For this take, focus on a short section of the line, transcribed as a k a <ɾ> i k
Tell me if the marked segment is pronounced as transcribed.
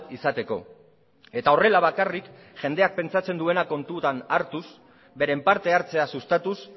no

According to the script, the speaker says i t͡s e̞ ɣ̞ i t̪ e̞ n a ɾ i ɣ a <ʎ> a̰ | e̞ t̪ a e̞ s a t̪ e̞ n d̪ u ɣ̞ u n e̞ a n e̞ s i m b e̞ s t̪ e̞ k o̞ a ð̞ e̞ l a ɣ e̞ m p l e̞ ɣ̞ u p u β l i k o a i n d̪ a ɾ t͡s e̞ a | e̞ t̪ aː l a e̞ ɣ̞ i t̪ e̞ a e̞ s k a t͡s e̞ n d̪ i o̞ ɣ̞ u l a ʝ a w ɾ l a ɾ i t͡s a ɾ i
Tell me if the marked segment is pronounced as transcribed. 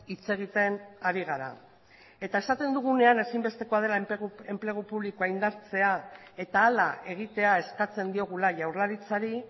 no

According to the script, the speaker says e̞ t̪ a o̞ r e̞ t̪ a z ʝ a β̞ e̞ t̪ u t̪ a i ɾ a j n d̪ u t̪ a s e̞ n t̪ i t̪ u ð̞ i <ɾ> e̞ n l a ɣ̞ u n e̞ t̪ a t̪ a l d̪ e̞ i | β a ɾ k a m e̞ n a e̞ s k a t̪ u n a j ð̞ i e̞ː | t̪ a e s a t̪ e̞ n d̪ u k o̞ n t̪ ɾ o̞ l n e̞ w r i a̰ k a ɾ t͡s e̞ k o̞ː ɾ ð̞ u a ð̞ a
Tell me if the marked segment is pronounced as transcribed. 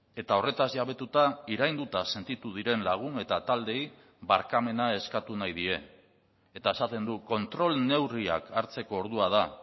yes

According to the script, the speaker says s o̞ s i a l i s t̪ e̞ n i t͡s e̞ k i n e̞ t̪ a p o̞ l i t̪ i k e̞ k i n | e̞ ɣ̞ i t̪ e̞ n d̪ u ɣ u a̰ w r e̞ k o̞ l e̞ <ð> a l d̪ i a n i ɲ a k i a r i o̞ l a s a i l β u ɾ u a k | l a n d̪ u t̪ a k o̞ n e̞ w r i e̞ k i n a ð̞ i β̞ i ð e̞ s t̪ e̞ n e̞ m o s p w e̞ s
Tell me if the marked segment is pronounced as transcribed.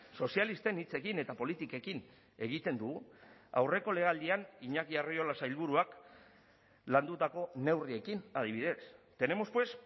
no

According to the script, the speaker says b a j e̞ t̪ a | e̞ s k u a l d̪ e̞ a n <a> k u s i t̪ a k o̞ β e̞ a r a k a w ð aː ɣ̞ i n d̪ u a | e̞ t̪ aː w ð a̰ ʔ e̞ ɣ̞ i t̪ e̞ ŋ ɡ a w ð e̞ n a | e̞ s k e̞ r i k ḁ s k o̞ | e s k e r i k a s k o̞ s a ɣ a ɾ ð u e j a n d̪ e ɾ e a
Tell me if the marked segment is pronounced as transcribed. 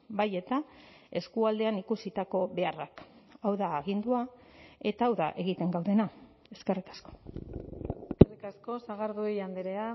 no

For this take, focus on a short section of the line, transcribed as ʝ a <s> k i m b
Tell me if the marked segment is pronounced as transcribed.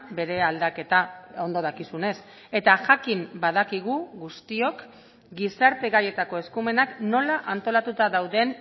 no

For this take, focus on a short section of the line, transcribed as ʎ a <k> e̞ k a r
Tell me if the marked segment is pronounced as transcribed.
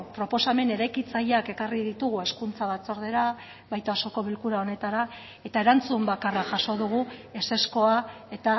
yes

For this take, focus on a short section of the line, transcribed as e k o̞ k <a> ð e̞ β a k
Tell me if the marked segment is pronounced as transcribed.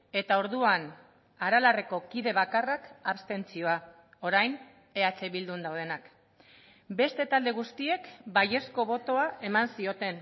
no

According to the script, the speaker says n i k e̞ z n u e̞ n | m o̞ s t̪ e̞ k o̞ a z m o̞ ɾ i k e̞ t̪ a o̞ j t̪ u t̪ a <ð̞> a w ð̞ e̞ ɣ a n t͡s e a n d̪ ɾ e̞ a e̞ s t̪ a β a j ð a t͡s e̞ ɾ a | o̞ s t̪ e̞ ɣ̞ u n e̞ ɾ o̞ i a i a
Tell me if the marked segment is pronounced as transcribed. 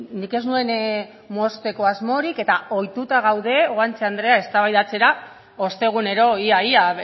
no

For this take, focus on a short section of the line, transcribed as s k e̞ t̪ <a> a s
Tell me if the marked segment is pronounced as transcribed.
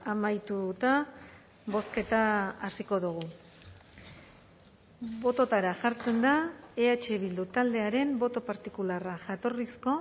yes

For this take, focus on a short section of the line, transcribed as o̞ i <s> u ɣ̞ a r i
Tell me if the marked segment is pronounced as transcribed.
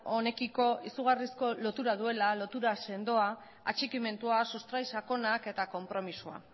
yes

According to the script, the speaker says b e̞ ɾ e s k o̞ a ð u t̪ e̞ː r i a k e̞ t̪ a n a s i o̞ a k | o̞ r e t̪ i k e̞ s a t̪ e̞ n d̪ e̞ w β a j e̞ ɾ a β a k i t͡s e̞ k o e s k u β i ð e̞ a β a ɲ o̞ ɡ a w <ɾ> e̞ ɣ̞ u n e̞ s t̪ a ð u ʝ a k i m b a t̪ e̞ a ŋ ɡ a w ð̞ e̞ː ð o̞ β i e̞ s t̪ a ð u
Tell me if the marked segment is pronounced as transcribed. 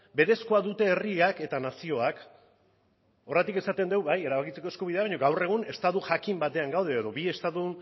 no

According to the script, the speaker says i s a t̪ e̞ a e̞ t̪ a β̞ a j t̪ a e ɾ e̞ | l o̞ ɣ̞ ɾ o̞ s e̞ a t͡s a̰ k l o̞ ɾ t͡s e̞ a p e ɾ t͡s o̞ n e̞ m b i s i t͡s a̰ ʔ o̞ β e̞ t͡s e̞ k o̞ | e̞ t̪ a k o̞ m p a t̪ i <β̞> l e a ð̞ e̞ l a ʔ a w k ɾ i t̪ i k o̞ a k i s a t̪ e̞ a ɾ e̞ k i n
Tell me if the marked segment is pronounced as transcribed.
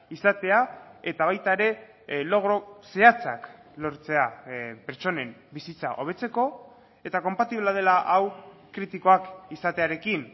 yes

